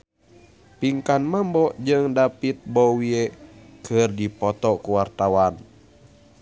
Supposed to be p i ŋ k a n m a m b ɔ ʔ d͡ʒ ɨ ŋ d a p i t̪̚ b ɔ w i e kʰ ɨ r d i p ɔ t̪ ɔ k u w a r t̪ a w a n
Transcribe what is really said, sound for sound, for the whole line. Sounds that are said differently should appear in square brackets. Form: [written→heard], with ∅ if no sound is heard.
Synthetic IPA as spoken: p i ŋ k a n m a m b ɔ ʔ d͡ʒ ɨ ŋ d a p i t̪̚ b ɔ w i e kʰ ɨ r d i p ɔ t̪ ɔ k u w a r t̪ a w a n